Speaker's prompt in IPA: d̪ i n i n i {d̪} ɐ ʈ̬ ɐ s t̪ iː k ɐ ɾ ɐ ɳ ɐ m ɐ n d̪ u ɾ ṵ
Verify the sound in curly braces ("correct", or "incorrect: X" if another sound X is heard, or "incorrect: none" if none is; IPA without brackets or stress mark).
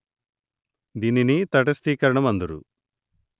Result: incorrect: t̪